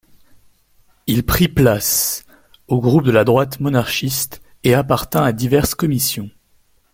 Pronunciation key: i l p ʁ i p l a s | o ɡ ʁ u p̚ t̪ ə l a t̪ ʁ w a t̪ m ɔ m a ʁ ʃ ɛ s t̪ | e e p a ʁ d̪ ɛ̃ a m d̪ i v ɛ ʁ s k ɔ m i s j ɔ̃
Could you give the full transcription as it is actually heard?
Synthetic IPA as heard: i l p χ i p l a s | o ɡ ʁ u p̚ d̪ ə l a d̪ ʁ w a t̪ m ɔ n a ʁ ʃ i s t̪ | e a p a ʁ t̪ ɛ̃ a d̪ i v ɛ ʁ s k ɔ m i s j ɔ̃